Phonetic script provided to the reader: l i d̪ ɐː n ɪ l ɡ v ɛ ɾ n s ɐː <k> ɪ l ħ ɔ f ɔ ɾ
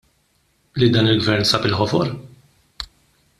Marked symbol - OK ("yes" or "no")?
no